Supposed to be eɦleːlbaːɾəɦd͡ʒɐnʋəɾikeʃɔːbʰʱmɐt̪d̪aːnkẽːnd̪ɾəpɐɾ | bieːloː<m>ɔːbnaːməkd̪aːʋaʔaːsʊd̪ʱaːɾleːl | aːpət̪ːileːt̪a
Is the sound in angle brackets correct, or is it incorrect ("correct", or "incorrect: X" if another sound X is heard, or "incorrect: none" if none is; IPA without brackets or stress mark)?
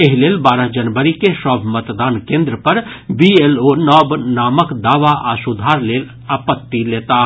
incorrect: n